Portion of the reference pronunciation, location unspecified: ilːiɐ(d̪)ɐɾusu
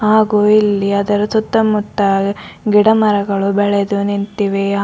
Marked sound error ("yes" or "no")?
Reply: no